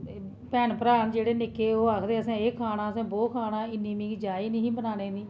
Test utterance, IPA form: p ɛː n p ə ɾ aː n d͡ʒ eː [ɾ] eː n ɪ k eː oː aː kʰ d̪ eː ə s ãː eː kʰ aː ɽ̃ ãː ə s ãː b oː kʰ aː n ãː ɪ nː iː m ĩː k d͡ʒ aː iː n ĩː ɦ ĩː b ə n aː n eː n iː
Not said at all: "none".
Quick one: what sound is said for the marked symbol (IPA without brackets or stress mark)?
ɽ